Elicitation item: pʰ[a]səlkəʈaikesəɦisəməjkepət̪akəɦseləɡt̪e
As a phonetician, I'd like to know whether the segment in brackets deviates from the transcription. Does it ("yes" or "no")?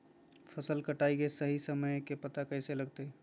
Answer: yes